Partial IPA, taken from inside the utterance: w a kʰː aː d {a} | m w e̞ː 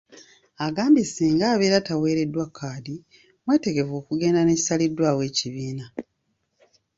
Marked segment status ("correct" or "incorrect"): incorrect